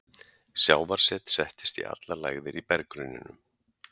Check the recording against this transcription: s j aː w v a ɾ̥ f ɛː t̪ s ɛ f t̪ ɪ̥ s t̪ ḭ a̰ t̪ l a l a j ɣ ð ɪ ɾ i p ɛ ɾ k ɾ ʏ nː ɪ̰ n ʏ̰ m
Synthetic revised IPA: s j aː w v a ɾ̥ s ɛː t̪ s ɛ h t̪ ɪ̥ s t̪ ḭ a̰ t̪ l a l a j ɣ ð ɪ ɾ i p ɛ ɾ k ɾ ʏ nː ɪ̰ n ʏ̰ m